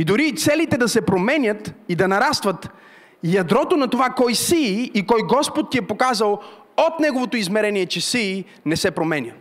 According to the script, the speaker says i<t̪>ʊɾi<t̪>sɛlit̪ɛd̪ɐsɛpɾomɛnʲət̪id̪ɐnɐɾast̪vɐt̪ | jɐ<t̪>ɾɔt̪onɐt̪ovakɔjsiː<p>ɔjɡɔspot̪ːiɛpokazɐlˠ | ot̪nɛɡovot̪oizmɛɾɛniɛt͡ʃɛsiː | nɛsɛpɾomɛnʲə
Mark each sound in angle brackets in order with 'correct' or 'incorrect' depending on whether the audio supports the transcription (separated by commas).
incorrect, correct, incorrect, incorrect